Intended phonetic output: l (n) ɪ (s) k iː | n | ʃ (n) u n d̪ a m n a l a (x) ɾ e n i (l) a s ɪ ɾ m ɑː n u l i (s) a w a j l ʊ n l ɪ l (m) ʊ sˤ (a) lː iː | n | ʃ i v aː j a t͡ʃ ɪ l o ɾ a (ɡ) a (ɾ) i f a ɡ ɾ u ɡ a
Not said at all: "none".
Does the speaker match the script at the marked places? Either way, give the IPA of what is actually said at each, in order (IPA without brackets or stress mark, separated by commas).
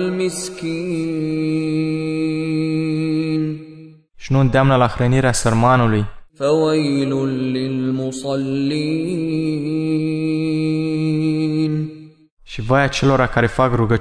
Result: m, s, n, x, ɾ, f, m, ɑ, k, ɾ